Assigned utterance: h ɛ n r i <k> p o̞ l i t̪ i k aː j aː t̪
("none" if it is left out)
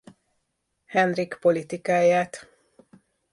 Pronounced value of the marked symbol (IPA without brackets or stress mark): k